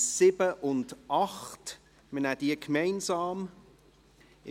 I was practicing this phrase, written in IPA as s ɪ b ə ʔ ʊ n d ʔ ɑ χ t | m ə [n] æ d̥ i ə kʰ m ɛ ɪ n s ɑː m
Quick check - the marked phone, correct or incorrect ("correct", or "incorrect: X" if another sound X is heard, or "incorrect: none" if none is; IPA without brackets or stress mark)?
correct